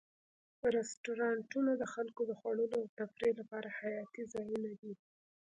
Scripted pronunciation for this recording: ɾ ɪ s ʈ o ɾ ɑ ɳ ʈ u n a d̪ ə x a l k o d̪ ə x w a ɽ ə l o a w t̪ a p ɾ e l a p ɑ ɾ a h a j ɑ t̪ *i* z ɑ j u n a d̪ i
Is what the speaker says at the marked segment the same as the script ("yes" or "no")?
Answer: yes